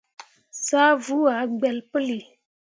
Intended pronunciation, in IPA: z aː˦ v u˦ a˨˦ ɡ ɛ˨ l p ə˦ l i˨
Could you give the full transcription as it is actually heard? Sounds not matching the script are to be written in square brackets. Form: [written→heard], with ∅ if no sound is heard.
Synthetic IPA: [z→s] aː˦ v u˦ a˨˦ [ɡ→ɡ͡b] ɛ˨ l p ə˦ l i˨